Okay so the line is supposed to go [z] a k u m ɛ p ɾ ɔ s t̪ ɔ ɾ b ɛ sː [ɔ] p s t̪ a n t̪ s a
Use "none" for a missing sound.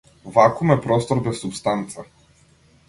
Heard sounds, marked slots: v, u

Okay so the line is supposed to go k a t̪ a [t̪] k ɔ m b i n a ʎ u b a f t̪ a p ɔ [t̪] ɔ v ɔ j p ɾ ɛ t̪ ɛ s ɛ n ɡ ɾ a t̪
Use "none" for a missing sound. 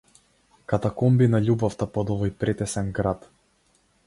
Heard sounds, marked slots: none, d̪

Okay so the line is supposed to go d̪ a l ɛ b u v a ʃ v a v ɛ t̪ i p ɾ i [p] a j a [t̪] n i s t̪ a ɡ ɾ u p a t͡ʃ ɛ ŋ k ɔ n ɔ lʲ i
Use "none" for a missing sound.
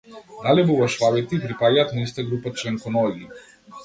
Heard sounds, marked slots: p, t̪

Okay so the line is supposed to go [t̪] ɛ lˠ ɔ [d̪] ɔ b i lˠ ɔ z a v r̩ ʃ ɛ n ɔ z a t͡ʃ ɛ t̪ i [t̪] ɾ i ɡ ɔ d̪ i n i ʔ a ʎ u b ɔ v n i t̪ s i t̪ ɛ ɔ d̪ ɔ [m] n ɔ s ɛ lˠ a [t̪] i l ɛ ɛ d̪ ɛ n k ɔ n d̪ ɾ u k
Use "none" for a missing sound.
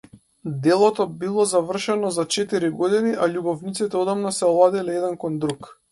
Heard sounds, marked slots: d̪, t̪, none, m, d̪

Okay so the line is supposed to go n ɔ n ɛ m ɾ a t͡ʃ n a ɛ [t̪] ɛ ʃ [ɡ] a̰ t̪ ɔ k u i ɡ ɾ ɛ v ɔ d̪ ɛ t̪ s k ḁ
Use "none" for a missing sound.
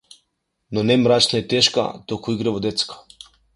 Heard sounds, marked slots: t̪, k

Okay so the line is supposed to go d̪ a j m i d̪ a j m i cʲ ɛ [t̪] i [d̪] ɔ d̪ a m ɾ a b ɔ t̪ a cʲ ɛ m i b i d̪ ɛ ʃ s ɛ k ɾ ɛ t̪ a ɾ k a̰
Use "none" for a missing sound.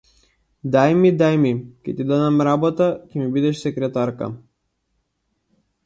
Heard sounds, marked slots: t̪, d̪

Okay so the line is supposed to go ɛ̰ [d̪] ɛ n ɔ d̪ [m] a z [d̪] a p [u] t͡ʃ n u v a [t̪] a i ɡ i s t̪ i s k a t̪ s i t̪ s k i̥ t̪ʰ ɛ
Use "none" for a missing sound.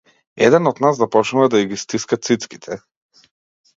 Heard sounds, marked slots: d̪, n, d̪, ɔ, d̪

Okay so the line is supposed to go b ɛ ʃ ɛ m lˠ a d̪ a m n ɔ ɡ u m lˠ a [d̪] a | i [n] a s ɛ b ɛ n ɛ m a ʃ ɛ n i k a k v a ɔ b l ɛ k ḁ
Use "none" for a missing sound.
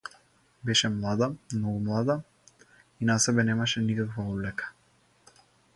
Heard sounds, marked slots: d̪, n

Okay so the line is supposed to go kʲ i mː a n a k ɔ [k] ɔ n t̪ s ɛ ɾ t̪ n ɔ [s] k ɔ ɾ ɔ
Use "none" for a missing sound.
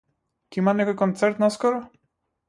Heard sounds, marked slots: k, s

